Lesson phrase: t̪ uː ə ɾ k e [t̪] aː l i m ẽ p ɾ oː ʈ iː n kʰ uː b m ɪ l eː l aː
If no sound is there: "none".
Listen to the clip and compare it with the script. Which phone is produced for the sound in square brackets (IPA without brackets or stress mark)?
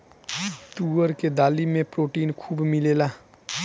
d̪